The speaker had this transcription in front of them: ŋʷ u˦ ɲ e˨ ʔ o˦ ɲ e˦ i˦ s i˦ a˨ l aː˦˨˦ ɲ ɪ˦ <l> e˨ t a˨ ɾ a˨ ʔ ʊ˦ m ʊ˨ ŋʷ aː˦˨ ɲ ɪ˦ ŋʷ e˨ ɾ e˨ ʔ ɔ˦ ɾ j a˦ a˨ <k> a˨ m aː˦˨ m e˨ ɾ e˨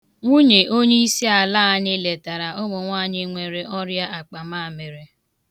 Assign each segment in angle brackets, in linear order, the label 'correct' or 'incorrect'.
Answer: correct, incorrect: k͡p

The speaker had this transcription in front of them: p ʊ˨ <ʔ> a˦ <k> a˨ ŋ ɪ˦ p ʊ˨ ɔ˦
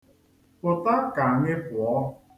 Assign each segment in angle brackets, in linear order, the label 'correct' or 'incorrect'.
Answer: incorrect: t, correct

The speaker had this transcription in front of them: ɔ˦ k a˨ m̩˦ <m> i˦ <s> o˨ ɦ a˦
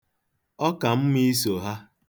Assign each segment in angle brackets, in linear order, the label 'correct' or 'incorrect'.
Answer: correct, correct

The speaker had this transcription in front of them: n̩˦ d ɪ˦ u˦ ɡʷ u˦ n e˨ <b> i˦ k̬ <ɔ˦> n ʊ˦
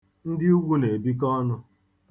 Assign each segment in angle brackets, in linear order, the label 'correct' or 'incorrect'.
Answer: correct, correct

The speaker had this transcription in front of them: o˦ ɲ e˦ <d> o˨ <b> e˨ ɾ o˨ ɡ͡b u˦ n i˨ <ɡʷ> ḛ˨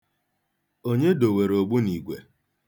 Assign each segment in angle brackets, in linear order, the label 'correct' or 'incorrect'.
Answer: correct, incorrect: w, correct

